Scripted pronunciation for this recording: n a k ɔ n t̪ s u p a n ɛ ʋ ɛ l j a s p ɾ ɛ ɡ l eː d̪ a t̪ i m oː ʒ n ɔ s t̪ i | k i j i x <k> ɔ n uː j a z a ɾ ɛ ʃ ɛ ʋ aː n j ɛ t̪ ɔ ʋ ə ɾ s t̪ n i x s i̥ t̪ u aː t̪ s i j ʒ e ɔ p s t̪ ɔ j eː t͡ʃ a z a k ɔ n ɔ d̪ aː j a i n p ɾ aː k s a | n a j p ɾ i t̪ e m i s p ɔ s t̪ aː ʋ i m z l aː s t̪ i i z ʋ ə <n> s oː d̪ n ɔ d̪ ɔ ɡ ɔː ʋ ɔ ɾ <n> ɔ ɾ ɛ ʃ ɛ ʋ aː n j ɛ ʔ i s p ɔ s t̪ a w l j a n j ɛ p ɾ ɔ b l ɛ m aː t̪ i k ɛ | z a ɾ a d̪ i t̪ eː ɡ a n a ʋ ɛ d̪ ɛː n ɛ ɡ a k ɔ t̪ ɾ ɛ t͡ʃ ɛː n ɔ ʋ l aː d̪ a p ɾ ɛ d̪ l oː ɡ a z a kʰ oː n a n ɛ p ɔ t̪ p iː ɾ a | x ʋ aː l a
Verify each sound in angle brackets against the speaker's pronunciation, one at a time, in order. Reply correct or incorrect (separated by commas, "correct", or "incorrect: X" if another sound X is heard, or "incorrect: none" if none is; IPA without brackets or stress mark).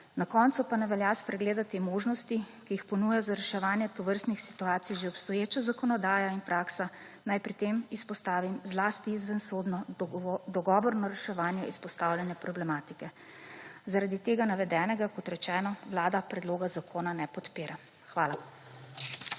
incorrect: p, correct, correct